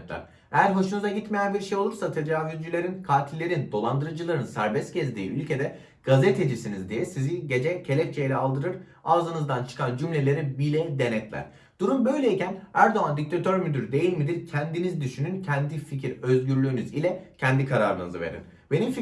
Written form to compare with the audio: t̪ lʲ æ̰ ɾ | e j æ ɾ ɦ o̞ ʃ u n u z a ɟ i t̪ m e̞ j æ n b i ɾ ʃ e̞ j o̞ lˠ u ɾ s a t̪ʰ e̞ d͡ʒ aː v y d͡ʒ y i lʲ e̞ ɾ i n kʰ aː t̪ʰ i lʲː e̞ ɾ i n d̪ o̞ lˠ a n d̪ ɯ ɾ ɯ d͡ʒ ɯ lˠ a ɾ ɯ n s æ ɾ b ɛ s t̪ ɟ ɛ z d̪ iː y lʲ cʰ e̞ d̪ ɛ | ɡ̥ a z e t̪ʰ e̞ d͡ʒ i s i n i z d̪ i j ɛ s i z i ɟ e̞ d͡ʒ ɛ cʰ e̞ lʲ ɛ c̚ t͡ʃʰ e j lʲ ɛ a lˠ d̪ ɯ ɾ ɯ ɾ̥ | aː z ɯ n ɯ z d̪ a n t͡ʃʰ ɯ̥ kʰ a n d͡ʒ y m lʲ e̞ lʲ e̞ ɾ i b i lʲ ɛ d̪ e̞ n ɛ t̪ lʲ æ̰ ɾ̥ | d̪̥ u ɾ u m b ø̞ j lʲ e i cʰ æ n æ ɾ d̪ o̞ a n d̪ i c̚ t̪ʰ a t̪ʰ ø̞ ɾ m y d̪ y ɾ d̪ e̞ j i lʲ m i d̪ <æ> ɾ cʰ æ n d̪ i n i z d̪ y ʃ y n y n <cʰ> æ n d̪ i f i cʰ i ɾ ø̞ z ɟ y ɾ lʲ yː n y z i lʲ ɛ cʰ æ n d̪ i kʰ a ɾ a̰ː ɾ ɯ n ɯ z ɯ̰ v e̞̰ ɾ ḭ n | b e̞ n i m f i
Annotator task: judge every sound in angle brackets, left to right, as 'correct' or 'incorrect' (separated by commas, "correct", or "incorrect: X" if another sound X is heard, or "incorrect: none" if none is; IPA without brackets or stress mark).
incorrect: i, correct